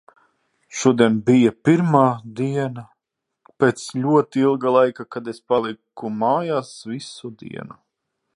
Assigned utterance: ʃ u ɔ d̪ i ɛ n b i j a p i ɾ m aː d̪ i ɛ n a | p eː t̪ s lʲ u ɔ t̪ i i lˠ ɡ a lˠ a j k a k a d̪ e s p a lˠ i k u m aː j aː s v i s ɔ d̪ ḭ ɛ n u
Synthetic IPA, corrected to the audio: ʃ u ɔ d̪ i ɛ n b i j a p i ɾ m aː d̪ i ɛ n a | p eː t̪ s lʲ u ɔ t̪ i i lˠ ɡ a lˠ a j k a k a d̪ e s p a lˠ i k u m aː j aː s v i s u d̪ ḭ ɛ n u